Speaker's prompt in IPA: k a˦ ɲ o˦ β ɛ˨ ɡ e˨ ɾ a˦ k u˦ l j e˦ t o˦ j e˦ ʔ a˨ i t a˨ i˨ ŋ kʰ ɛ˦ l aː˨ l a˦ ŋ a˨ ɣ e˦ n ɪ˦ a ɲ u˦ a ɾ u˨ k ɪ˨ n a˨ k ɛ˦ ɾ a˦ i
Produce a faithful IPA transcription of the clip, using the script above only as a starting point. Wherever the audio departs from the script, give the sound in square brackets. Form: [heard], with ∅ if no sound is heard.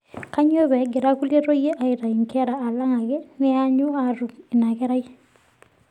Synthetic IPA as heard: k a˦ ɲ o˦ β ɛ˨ ɡ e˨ ɾ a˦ k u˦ l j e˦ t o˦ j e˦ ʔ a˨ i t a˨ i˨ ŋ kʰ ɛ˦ [ɾ] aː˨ l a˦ ŋ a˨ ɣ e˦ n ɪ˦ a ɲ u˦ a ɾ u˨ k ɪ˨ n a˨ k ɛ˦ ɾ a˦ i